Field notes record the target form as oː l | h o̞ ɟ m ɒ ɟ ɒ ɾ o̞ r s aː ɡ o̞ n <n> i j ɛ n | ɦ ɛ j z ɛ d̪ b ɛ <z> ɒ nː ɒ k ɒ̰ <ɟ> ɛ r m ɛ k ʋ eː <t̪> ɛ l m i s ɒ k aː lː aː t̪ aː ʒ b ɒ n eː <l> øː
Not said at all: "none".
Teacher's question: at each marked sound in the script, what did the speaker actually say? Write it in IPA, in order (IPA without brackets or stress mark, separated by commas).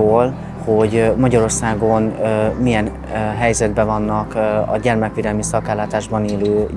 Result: m, v, ɟ, d̪, l